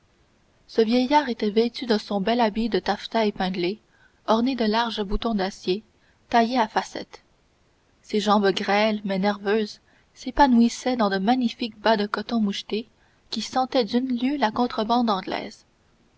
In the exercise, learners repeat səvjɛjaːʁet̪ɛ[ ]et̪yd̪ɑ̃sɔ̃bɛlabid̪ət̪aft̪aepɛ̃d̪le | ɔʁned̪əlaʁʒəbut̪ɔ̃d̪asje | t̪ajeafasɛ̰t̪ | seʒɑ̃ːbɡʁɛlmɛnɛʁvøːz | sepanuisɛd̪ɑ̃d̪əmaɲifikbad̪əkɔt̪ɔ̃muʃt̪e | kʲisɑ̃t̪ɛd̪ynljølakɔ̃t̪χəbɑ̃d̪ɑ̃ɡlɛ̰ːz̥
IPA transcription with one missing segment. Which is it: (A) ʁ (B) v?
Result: B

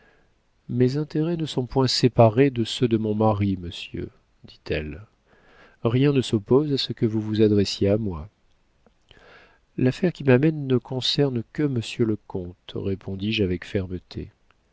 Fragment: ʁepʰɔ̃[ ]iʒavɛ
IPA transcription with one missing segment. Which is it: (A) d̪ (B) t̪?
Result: A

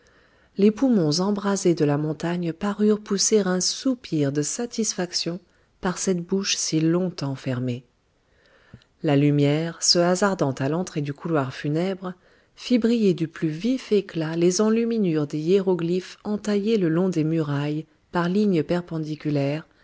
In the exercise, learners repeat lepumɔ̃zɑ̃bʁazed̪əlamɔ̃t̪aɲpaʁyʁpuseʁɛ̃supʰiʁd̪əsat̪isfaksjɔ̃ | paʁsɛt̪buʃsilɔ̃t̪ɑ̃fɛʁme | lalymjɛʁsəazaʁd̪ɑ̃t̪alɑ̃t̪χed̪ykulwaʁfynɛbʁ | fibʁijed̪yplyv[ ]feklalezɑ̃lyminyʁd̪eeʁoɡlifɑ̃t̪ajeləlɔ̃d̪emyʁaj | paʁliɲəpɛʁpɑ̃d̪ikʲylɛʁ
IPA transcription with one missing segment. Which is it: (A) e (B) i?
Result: B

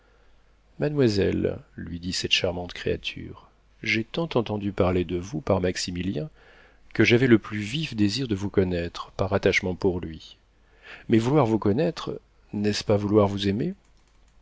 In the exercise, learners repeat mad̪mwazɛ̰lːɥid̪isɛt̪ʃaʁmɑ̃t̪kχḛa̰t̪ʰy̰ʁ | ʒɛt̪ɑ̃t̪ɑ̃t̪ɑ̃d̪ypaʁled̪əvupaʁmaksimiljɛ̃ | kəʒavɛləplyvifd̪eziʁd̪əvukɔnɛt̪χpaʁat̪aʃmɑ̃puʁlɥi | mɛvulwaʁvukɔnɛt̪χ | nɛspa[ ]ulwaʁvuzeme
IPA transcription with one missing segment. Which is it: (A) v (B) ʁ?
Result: A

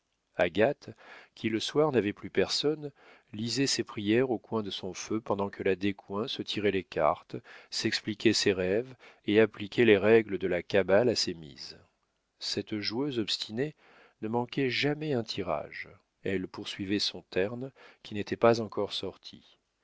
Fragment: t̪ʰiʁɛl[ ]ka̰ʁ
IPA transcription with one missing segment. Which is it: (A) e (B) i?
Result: A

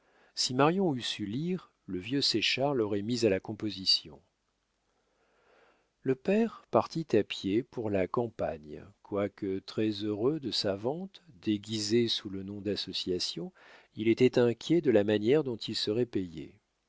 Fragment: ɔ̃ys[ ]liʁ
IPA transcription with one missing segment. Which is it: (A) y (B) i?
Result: A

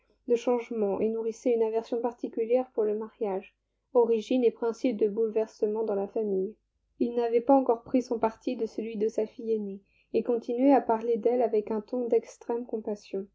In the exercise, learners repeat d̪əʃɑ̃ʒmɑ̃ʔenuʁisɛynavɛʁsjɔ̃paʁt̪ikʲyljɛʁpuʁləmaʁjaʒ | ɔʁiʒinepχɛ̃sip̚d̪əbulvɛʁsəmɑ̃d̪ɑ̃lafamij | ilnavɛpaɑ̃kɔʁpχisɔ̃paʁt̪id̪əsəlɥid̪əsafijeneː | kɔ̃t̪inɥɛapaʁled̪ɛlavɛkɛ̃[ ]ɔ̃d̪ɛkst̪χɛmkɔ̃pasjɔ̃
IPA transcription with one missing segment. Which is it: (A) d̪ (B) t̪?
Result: B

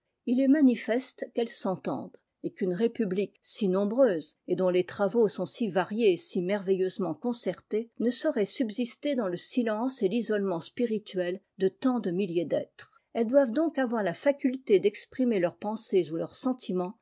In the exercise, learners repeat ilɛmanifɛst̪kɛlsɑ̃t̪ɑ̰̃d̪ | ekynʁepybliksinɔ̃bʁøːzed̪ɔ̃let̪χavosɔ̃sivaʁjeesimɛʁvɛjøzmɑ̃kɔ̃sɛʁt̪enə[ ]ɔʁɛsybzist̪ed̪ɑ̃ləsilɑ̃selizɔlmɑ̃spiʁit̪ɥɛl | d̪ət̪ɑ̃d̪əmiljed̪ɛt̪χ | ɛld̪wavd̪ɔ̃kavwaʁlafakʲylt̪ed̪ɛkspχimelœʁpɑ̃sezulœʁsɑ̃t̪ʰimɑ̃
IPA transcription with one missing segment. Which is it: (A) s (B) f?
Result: A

